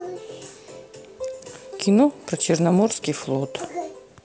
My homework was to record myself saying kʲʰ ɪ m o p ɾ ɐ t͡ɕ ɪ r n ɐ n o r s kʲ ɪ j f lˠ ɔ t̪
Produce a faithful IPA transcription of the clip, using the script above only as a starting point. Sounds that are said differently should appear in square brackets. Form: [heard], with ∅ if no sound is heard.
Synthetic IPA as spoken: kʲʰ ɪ [n] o p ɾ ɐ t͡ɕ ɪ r n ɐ [m] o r s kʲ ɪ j f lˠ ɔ t̪